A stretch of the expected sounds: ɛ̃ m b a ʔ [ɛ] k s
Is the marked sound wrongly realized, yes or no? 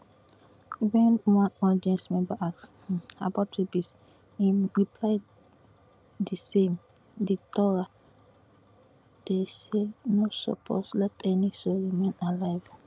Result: yes